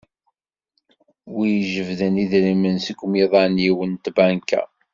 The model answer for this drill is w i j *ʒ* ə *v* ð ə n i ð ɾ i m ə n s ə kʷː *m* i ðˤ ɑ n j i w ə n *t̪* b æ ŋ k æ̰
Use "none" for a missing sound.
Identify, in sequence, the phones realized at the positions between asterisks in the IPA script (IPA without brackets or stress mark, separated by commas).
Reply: ʒ, v, m, t̪